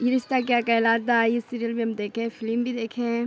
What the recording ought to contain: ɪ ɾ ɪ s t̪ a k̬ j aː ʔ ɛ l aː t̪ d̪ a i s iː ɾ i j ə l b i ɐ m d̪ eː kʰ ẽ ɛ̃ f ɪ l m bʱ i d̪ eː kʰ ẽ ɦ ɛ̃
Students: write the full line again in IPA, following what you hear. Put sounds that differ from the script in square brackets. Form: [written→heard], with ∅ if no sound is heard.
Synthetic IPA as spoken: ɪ ɾ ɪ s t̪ a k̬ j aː [ʔ→k] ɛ l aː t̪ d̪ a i s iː ɾ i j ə l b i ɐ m d̪ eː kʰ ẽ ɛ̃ f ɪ l m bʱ i d̪ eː kʰ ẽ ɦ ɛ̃